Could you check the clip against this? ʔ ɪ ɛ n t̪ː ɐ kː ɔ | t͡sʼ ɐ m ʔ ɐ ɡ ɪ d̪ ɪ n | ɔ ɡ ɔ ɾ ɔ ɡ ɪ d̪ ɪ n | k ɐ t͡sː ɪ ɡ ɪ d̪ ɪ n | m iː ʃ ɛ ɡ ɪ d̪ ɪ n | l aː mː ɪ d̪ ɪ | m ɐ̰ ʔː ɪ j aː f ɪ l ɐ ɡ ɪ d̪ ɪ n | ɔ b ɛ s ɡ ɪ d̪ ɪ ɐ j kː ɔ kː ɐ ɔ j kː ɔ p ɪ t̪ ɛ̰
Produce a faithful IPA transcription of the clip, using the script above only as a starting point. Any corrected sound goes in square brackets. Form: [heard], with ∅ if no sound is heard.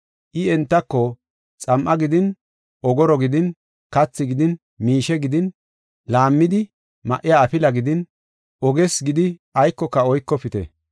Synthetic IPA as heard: ʔ ɪ ɛ n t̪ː ɐ kː ɔ | t͡sʼ ɐ m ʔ ɐ ɡ ɪ d̪ ɪ n | ɔ ɡ ɔ ɾ ɔ ɡ ɪ d̪ ɪ n | k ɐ t͡sː ɪ ɡ ɪ d̪ ɪ n | m iː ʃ ɛ ɡ ɪ d̪ ɪ n | l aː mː ɪ d̪ ɪ | m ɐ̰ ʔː ɪ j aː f ɪ l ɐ ɡ ɪ d̪ ɪ n | ɔ [ɡ] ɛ s ɡ ɪ d̪ ɪ ɐ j kː ɔ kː ɐ ɔ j kː ɔ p ɪ t̪ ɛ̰